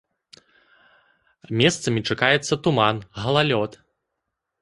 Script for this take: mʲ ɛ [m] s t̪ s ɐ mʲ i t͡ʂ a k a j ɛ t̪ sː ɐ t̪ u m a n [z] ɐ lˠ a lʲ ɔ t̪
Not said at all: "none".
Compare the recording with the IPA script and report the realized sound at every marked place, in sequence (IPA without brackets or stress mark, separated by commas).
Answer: none, ɣ